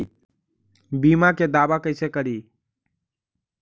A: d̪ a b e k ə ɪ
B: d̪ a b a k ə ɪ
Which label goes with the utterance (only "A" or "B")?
B